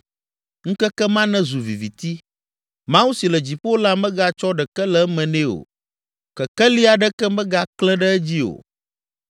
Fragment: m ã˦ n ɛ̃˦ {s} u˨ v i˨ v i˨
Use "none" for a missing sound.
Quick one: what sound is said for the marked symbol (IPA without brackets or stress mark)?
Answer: z